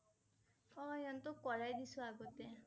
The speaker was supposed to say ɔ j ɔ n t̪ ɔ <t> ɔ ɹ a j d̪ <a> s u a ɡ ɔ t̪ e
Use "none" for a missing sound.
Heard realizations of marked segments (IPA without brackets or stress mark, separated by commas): k, i